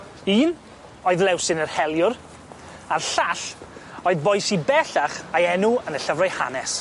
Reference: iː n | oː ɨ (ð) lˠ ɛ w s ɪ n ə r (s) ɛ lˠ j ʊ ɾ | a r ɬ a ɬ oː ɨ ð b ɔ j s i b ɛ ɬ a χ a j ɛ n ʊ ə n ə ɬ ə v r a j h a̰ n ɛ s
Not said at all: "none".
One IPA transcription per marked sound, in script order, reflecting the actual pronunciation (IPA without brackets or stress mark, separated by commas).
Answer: ð, h